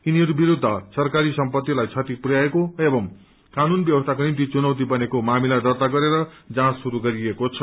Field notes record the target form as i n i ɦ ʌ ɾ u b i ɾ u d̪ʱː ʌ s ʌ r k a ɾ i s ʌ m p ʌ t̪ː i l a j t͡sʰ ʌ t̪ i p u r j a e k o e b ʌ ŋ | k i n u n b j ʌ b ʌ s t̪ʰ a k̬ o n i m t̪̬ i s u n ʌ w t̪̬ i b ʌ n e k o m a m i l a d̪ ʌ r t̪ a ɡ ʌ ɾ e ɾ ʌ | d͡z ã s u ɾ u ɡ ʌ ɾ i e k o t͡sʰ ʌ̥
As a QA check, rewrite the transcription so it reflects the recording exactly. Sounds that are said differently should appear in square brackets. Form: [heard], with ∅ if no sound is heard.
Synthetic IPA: i n i ɦ ʌ ɾ u b i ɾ u d̪ʱː ʌ s ʌ r k a ɾ i s ʌ m p ʌ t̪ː i l a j t͡sʰ ʌ t̪ i p u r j a e k o e b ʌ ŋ | k [a] n u n b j ʌ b ʌ s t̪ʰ a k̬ o n i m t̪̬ i [t͡s] u n ʌ w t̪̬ i b ʌ n e k o m a m i l a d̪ ʌ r t̪ a ɡ ʌ ɾ e ɾ ʌ | d͡z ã s u ɾ u ɡ ʌ ɾ i e k o t͡sʰ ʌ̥